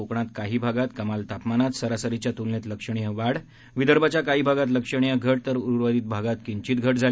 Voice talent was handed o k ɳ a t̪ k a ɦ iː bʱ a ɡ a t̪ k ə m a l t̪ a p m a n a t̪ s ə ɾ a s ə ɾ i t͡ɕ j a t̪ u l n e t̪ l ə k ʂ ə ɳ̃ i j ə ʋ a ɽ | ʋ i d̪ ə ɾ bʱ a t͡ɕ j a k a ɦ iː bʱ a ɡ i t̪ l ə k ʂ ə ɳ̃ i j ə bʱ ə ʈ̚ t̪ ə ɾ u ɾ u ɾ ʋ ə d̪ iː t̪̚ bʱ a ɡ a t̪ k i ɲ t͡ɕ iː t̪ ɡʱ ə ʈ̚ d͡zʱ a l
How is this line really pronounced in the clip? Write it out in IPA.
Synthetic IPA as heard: o k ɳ a t̪ k a ɦ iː bʱ a ɡ a t̪ k ə m a l t̪ a p m a n a t̪ s ə ɾ a s ə ɾ i t͡ɕ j a t̪ u l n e t̪ l ə k ʂ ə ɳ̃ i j ə ʋ a ɽ | ʋ i d̪ ə ɾ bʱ a t͡ɕ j a k a ɦ iː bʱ a ɡ a t̪ l ə k ʂ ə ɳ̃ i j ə ɡʱ ə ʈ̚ t̪ ə ɾ u ɾ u ɾ ʋ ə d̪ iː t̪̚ bʱ a ɡ a t̪ k i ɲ t͡ɕ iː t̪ ɡʱ ə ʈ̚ d͡zʱ a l